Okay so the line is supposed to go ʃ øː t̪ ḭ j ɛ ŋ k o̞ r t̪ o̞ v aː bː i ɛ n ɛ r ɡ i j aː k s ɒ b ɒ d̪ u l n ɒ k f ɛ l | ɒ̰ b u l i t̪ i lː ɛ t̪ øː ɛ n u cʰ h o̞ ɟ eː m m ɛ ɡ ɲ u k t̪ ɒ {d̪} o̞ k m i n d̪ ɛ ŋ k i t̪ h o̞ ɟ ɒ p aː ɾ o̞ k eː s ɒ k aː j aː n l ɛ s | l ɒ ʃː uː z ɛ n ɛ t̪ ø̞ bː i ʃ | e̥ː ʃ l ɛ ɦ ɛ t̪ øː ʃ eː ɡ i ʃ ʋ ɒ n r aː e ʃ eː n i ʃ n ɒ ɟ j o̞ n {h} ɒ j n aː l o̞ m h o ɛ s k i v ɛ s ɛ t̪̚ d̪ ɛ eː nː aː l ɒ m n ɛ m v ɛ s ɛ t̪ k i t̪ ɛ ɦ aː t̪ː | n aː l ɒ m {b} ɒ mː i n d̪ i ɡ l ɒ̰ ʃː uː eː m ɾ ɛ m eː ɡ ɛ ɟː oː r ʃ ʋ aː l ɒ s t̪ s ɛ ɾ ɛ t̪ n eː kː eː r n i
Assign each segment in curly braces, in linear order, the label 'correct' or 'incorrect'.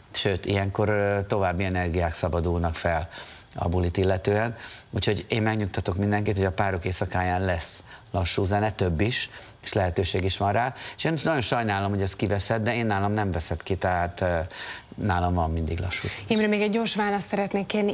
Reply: incorrect: t̪, incorrect: ʃ, incorrect: v

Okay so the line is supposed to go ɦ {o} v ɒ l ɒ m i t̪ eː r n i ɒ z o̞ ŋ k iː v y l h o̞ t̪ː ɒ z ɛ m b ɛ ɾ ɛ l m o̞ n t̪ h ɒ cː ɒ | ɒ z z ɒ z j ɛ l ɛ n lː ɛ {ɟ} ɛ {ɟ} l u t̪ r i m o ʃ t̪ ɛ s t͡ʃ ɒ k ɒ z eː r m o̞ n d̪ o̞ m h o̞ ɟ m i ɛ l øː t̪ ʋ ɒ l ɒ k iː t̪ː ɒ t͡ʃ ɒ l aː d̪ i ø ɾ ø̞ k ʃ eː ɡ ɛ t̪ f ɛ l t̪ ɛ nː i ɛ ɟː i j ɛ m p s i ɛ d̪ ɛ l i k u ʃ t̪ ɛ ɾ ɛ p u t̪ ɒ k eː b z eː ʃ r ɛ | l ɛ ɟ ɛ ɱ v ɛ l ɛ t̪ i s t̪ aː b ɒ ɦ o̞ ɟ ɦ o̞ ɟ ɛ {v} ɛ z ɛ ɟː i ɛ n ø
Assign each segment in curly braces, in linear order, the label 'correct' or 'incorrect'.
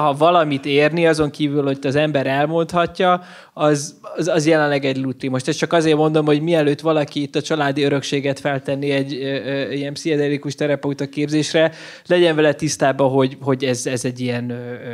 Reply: incorrect: ɒ, incorrect: ɡ, correct, incorrect: z

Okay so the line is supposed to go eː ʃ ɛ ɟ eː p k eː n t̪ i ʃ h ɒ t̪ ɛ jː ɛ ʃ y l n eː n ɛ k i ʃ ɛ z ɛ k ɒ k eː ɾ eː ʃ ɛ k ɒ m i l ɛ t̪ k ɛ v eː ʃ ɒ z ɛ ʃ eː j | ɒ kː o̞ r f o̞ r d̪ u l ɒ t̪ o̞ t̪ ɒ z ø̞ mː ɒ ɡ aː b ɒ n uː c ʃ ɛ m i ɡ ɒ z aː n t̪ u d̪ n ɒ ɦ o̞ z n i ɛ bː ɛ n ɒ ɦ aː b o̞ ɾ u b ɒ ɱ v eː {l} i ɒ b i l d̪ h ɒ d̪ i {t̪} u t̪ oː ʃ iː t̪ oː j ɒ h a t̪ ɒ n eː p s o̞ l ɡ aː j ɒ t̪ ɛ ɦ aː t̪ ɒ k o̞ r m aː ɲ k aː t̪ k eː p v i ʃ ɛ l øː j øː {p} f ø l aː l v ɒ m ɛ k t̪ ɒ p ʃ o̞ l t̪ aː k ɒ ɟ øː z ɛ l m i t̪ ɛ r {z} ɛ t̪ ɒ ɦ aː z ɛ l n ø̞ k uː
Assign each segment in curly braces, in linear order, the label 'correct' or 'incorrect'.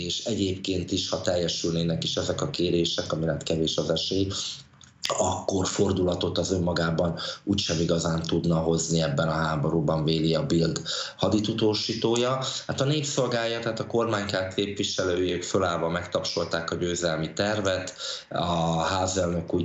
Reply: correct, correct, incorrect: k, incorrect: v

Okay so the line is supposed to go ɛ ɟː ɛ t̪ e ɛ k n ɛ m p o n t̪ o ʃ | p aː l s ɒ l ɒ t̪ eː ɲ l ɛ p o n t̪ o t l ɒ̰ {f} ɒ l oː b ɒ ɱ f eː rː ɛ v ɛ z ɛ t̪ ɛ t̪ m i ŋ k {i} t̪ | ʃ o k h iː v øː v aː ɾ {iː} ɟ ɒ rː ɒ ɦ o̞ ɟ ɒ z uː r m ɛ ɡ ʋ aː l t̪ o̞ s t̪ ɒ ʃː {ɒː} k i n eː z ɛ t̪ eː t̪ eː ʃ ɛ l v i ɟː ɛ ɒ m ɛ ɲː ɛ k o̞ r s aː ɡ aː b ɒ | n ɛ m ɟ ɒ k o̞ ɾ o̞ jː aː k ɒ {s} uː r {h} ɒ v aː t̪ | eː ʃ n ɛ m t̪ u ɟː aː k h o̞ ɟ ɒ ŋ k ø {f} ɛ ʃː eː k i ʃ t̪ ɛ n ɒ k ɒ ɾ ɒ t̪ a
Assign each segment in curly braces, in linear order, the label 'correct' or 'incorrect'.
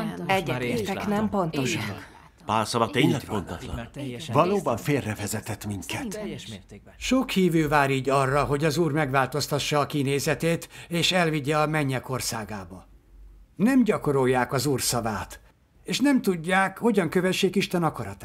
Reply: incorrect: v, incorrect: ɛ, correct, correct, incorrect: z, incorrect: s, incorrect: v

